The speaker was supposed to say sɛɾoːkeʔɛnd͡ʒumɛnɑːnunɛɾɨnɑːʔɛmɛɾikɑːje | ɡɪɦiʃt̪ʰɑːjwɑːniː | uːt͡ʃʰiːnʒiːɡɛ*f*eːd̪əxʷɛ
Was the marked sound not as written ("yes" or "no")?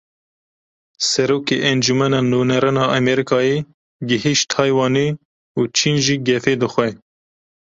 no